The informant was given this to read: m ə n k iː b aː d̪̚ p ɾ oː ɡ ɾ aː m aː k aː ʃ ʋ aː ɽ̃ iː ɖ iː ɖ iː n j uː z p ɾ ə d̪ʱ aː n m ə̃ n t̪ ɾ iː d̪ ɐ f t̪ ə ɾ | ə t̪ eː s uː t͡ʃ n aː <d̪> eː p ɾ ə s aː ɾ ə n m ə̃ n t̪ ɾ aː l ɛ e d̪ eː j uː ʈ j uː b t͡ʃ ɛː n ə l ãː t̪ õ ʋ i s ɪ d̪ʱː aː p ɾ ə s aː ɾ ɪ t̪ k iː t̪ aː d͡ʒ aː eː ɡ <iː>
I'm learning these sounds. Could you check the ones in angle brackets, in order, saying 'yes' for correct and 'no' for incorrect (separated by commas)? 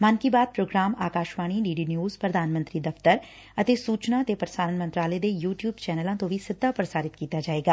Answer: no, no